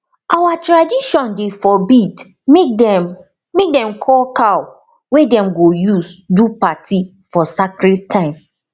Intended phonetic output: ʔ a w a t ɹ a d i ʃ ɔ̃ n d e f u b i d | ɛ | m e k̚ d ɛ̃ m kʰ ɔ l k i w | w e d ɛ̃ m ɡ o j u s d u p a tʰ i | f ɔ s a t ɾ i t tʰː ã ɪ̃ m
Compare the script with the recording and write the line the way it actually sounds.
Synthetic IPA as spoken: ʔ a w a t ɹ a d i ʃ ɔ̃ n d e f ɔ b i d | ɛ | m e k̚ d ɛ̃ m kʰ ɔ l k a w | w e d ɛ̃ m ɡ o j u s d u p a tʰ i | f ɔ s a k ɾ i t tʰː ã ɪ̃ m